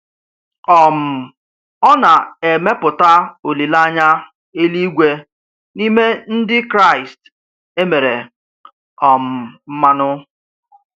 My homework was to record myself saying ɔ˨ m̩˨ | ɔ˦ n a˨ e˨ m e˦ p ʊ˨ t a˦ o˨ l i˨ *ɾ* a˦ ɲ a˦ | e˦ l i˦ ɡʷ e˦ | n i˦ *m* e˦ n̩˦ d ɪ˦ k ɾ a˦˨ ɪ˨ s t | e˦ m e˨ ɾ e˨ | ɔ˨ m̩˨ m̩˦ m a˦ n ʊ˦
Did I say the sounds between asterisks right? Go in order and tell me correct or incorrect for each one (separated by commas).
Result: incorrect, correct